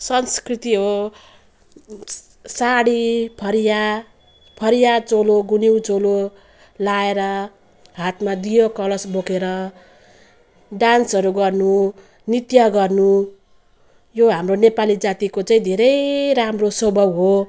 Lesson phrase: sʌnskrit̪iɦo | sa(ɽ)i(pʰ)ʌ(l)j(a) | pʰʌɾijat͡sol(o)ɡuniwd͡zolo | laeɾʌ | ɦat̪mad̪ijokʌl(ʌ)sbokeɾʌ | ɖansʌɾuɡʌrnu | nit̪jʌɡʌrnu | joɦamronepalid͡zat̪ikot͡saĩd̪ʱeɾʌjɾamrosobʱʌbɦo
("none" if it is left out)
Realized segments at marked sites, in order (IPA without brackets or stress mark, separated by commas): ɽ, pʰ, ɾ, a, o, ʌ